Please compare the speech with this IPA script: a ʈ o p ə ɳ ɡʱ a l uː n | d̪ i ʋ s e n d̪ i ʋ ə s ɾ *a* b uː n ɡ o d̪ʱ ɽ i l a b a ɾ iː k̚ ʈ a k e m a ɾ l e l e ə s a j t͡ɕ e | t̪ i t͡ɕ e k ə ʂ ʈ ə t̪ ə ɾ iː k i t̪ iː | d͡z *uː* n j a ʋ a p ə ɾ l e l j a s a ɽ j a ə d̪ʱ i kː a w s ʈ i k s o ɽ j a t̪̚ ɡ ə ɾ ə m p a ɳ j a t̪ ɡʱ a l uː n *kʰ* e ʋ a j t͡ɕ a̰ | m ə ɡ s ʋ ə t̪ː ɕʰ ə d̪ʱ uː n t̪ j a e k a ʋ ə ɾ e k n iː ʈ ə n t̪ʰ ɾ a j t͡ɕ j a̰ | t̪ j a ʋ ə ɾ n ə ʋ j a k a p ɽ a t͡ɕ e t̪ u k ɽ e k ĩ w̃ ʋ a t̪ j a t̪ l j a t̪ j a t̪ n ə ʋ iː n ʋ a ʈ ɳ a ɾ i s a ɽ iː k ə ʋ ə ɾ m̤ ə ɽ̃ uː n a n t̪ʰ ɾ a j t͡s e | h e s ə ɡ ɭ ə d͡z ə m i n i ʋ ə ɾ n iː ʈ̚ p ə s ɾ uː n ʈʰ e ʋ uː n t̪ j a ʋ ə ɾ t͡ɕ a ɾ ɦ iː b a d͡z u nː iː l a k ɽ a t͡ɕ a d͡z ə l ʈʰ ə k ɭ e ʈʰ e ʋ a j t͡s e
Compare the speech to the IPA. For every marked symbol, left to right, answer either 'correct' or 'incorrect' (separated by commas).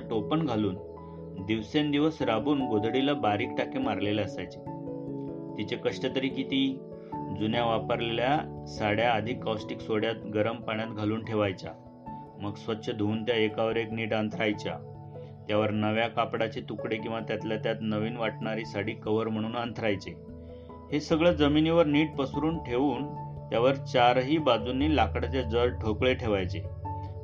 correct, incorrect, incorrect